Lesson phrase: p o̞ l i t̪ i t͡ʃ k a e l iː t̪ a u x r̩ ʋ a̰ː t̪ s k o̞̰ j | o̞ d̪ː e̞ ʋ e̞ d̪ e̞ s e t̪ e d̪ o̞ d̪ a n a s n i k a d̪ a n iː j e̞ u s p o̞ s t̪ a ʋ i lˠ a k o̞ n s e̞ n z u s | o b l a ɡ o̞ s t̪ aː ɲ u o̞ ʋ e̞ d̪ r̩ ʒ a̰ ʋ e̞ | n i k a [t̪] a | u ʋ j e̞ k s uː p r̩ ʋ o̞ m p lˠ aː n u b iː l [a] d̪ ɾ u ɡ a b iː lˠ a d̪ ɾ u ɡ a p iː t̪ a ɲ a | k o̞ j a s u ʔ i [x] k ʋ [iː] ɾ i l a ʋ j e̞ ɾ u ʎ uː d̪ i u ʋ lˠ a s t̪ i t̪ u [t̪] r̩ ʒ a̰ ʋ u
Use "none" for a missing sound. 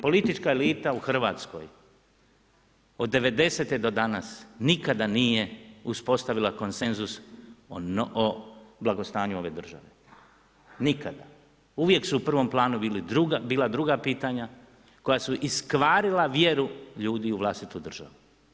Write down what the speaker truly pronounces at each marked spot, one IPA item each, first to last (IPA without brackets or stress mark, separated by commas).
d̪, i, s, aː, d̪